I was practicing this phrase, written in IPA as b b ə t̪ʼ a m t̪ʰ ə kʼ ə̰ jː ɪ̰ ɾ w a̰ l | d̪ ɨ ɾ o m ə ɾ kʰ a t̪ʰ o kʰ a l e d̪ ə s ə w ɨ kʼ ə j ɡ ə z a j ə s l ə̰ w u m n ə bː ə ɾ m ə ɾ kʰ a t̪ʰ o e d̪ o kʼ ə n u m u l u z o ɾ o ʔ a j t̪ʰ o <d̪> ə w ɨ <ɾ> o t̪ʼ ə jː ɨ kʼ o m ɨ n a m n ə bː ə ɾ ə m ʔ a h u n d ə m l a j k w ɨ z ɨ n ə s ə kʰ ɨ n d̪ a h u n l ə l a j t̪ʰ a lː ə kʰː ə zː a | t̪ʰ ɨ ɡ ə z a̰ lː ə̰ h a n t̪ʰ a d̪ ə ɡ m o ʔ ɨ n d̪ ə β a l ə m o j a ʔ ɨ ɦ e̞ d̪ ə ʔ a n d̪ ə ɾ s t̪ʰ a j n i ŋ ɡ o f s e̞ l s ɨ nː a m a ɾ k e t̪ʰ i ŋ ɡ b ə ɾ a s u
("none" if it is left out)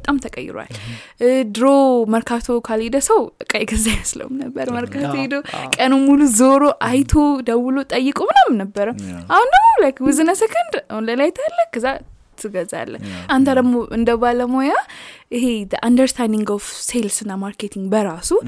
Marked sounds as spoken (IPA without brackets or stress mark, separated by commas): d̪, l